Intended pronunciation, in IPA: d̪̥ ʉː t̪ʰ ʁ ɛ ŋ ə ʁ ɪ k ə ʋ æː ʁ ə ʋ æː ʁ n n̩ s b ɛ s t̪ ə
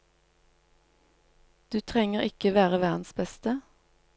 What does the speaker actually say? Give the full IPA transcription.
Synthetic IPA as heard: d̪̥ ʉː t̪ʰ ʁ ɛ ŋ ə ʁ ɪ k ə ʋ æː ʁ ə ʋ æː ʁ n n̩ s b ɛ s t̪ ə